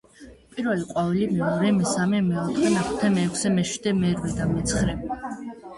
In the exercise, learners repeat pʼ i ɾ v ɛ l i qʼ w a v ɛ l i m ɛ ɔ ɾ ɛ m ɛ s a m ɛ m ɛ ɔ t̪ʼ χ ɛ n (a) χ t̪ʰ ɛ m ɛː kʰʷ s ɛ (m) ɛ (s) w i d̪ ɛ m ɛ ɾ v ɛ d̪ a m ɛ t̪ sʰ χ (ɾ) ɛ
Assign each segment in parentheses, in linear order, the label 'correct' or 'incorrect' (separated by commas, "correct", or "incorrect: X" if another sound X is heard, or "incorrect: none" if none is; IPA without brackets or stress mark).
correct, correct, incorrect: ʃ, correct